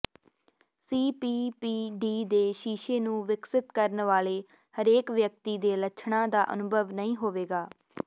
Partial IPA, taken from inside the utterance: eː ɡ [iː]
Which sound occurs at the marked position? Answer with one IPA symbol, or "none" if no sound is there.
aː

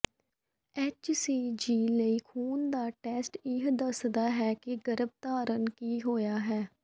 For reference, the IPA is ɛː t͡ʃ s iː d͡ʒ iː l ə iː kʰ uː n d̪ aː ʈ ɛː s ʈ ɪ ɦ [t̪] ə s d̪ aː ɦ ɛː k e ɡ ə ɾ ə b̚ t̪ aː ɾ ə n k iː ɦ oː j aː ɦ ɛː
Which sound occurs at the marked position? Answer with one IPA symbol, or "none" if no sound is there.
d̪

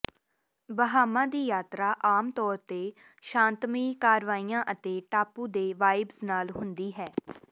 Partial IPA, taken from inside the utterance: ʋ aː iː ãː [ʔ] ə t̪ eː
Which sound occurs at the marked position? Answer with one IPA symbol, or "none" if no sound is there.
ʔ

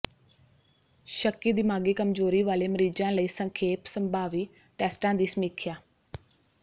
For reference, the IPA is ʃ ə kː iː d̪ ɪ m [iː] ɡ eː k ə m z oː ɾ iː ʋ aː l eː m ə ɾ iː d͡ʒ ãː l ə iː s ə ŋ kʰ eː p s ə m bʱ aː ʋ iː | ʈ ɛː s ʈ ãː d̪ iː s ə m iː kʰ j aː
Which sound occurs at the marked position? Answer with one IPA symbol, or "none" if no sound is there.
aː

